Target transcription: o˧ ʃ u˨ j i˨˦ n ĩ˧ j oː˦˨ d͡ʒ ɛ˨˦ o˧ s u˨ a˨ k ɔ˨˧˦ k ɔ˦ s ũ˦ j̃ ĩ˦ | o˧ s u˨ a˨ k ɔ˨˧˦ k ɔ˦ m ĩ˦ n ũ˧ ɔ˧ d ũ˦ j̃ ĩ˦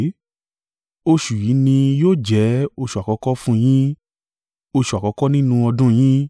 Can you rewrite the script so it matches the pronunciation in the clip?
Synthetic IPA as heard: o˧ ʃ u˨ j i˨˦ n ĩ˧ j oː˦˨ d͡ʒ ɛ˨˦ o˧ ʃ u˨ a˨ k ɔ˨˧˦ k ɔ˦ f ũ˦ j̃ ĩ˦ | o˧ ʃ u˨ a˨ k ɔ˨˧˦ k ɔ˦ n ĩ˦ n ũ˧ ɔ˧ d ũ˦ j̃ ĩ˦

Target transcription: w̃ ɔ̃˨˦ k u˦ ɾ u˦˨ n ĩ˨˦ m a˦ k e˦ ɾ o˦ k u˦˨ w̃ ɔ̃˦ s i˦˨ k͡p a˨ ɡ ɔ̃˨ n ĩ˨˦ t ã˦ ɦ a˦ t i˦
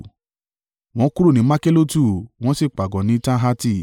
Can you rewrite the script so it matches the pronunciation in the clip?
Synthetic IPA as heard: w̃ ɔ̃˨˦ k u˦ ɾ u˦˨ n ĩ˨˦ m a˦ k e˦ l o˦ t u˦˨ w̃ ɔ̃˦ s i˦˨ k͡p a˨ ɡ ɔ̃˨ n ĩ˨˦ t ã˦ ɦ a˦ t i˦

